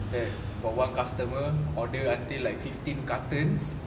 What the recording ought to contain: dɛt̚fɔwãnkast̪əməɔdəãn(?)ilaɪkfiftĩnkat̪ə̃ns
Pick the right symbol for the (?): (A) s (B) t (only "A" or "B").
B